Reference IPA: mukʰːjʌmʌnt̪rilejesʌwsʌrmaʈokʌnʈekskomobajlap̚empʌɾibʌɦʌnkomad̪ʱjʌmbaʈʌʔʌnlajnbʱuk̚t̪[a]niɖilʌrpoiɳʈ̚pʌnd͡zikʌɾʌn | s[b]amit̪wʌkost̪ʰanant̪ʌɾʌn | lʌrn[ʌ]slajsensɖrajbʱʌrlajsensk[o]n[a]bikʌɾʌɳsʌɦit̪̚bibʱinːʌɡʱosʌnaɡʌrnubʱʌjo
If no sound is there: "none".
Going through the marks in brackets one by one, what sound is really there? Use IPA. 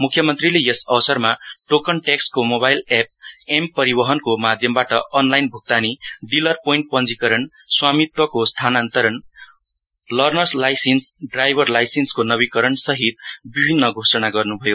a, w, ʌ, o, ʌ

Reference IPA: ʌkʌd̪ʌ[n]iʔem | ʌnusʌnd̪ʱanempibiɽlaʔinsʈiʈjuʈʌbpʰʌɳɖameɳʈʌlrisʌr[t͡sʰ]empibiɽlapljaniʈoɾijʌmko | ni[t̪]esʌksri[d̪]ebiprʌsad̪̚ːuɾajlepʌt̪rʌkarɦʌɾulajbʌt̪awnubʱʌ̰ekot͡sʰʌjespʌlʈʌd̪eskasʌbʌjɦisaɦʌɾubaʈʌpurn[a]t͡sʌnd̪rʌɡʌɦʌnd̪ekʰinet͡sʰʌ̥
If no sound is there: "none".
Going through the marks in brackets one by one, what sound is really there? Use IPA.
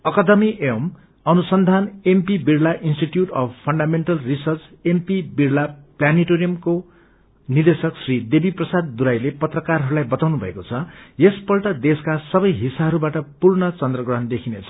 m, t͡s, d̪, d̪, ʌ

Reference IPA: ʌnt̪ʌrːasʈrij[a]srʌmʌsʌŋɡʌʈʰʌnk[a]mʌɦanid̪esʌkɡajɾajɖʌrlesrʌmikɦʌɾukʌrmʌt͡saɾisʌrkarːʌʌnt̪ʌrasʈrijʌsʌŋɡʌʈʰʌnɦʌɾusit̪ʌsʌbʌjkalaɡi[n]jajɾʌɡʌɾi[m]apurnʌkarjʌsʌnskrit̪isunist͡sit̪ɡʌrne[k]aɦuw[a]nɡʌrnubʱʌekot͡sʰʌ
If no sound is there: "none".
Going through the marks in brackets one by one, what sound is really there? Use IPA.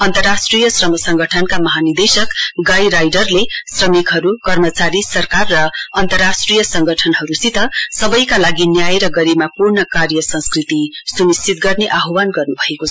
ʌ, a, n, m, ʔ, a

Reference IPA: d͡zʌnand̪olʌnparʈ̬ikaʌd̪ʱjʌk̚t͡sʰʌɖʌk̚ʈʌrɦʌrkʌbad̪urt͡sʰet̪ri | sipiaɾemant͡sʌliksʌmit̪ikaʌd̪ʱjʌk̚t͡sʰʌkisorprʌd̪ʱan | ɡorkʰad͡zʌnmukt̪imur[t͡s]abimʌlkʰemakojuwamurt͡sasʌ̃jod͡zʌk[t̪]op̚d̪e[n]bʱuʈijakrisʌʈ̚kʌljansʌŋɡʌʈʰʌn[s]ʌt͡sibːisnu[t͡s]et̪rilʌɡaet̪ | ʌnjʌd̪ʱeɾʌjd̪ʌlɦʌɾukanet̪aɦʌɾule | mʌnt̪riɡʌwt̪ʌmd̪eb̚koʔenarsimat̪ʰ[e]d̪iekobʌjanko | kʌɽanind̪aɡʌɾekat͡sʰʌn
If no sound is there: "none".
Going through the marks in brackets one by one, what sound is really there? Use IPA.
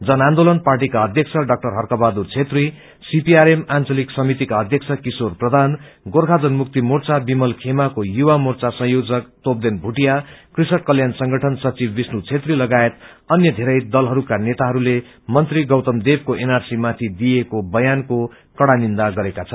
t͡s, t̪, n, s, t͡sʰ, i

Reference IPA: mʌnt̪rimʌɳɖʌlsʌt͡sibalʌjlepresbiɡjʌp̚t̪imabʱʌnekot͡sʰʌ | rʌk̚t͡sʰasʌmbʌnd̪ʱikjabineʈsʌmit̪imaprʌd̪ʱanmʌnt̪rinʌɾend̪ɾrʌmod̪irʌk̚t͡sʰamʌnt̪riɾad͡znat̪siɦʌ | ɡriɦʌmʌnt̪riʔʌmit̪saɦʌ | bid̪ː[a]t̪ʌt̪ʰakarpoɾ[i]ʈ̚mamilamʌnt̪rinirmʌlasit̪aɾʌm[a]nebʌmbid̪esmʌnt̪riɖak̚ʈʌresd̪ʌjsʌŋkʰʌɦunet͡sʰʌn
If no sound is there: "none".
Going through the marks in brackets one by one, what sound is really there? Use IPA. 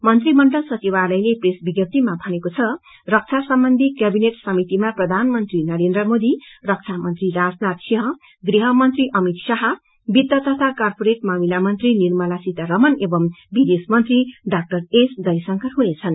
ʌ, e, ʌ

